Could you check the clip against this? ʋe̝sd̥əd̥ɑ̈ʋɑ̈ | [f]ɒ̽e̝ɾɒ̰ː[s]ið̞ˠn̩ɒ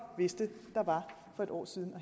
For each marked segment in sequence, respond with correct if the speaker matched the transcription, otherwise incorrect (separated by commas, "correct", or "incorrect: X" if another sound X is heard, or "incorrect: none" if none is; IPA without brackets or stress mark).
correct, correct